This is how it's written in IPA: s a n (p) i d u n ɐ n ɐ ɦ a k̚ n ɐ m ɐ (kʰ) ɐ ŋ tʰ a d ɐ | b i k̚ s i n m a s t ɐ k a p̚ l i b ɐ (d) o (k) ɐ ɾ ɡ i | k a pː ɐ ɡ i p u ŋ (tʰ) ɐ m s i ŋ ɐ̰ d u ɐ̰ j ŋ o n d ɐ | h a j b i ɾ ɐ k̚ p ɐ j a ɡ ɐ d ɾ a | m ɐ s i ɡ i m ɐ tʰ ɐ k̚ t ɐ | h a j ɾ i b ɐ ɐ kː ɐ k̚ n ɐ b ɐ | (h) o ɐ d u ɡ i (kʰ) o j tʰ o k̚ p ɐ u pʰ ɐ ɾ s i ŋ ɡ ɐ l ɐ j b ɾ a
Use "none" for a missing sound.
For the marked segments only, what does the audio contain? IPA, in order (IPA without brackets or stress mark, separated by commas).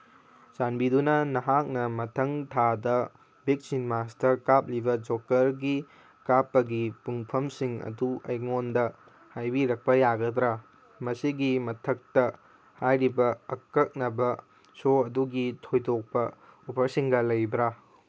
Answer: b, tʰ, d͡ʒ, k, pʰ, s, tʰ